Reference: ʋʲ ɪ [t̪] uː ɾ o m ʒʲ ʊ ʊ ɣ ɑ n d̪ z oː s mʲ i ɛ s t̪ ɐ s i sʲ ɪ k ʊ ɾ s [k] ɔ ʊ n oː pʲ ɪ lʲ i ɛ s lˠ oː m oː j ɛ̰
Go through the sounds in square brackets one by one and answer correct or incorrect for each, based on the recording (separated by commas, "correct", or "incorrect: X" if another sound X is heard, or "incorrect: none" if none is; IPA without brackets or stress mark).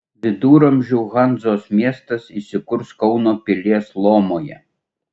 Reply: incorrect: d̪, correct